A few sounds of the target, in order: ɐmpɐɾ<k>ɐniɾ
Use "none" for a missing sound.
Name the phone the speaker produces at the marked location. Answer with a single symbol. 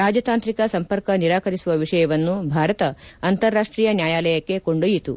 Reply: k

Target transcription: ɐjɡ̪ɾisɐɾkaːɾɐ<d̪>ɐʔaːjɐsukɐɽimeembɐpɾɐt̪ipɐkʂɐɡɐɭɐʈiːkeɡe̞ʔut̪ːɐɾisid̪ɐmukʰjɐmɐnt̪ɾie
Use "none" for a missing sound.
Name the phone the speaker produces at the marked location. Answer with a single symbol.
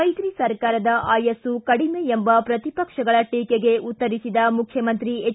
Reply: d̪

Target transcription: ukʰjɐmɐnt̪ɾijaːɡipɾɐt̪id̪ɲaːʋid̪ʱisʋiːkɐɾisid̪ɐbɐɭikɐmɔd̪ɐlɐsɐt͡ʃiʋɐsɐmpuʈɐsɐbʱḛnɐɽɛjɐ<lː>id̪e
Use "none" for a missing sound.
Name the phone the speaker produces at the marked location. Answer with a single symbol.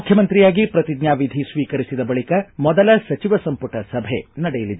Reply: l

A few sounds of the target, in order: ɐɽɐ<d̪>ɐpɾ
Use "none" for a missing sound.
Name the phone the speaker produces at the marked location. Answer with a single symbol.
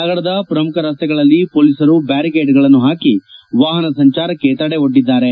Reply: d̪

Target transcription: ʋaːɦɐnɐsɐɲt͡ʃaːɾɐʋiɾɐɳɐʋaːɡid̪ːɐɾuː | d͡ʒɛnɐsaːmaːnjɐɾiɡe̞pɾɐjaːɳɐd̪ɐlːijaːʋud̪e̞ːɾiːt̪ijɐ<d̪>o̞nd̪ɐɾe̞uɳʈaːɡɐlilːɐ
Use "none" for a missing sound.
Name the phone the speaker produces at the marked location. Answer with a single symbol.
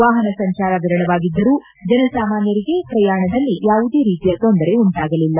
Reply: t̪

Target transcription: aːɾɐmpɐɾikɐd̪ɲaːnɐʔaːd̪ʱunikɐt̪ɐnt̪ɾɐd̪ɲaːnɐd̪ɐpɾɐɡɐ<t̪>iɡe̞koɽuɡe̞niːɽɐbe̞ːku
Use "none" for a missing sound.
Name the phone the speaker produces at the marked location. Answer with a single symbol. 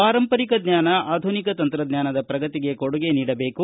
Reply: t̪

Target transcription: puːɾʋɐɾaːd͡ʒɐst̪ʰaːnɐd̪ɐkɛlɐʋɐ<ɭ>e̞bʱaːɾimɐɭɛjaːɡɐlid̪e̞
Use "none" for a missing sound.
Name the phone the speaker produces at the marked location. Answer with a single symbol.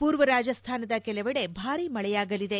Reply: ɽ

